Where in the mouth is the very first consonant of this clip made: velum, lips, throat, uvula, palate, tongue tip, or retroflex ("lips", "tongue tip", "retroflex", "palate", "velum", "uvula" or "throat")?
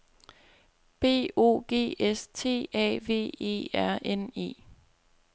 lips